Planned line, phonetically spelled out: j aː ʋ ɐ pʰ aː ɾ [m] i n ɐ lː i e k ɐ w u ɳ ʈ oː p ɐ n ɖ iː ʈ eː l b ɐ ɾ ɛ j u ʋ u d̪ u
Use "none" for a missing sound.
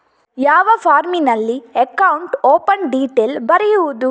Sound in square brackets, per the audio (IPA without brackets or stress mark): m